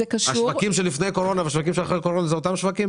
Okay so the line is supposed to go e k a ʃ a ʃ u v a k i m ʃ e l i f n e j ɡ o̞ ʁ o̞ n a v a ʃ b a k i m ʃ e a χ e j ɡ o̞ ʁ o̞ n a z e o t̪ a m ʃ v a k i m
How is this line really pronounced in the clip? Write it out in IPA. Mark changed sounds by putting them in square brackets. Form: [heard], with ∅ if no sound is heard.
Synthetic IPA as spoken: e k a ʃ a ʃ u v a k i m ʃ e l i f n e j [k] o̞ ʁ o̞ n a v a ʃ [v] a k i m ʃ e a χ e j [k] o̞ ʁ o̞ n a z e o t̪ a m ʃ v a k i m